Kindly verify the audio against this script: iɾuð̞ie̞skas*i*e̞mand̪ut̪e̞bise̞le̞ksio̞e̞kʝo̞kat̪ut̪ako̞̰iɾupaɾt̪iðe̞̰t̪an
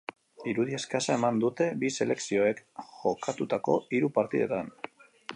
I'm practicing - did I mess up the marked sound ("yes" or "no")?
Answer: yes